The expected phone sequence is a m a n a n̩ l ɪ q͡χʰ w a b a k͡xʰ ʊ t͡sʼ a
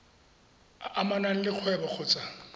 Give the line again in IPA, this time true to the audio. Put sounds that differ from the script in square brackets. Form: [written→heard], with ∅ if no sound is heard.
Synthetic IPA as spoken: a m a n a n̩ l ɪ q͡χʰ w [a→ɛ] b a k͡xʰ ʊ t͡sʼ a